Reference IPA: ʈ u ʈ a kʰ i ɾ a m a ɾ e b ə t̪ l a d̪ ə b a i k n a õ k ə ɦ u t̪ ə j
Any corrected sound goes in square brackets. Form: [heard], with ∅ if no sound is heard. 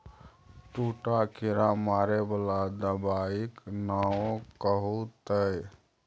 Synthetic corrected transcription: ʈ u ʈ a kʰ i ɾ a m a ɾ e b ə [∅] l a d̪ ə b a i k n a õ k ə ɦ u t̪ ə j